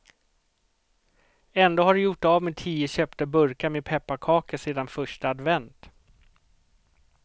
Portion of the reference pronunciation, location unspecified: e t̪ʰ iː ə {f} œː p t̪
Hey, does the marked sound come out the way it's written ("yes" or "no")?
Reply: no